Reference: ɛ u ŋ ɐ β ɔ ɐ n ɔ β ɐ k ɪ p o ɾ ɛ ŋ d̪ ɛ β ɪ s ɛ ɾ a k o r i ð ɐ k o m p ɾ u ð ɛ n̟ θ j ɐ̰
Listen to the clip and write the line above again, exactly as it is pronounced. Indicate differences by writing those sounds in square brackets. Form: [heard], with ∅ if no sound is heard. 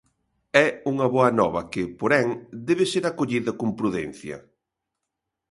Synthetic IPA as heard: ɛ u ŋ ɐ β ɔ ɐ n ɔ β ɐ k ɪ p o ɾ ɛ ŋ d̪ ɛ β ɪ s [e] ɾ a k o [ʎ] i ð ɐ k o m p ɾ u ð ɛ n̟ θ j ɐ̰